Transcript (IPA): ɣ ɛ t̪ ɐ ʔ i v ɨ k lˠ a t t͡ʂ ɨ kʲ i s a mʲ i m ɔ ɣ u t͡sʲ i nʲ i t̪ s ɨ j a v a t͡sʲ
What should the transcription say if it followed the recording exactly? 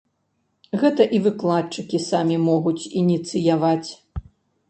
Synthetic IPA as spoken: ɣ ɛ t̪ ɐ ʔ i v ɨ k lˠ a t t͡ʂ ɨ kʲ i s a mʲ i m ɔ ɣ u t͡sʲ i nʲ i t̪ s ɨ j a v a t͡sʲ